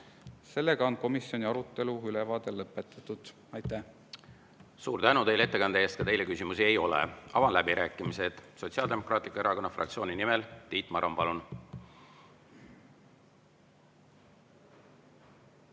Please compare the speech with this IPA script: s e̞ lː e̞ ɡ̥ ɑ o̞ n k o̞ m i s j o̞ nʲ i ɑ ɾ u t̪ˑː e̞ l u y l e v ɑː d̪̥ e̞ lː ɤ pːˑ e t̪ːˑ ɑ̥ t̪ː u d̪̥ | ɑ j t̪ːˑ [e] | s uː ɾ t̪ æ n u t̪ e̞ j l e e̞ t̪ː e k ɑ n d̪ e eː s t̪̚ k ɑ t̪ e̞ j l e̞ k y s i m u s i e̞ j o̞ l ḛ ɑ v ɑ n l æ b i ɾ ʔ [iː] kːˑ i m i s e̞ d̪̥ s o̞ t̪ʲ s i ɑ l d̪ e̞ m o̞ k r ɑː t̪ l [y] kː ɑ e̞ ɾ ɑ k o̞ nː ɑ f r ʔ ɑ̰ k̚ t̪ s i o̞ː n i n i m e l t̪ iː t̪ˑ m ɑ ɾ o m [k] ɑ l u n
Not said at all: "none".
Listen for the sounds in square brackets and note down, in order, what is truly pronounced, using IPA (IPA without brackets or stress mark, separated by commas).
æ, æː, i, p